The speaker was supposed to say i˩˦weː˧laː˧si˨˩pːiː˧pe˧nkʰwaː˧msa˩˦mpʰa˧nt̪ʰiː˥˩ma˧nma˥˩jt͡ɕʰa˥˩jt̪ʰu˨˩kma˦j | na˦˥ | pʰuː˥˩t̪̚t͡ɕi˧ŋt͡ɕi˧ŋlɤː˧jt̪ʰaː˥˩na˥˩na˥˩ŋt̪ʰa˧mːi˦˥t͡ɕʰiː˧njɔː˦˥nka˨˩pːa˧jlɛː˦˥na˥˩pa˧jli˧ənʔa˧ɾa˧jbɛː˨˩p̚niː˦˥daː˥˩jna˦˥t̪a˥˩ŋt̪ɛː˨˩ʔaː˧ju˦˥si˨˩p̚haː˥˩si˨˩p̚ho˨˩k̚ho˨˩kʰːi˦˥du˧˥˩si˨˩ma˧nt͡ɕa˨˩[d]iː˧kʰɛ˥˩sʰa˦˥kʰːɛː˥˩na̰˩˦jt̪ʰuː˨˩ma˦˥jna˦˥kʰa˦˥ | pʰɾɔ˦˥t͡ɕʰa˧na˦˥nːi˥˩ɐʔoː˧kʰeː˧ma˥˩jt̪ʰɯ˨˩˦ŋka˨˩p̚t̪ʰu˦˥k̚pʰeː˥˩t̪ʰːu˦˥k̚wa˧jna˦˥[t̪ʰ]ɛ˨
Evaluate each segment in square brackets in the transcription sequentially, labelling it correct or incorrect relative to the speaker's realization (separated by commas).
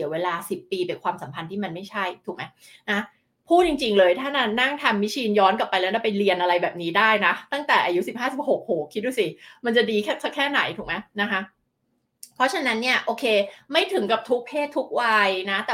correct, incorrect